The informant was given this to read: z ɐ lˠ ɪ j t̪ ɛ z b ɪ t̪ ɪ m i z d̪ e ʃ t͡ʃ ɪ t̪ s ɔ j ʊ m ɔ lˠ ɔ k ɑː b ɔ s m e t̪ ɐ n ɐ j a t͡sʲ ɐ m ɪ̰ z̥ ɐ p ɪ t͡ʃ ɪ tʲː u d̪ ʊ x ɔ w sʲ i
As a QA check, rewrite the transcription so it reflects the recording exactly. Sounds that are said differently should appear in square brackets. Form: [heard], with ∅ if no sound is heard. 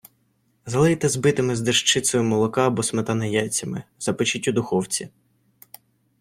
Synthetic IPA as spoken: z ɐ lˠ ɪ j t̪ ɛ z b ɪ t̪ ɪ m [ɪ] z d̪ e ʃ t͡ʃ ɪ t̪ s ɔ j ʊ m ɔ lˠ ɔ k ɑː b ɔ s m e t̪ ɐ n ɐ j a t͡sʲ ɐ m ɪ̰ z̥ ɐ p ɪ t͡ʃ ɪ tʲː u d̪ ʊ x ɔ w [t͡sʲ] i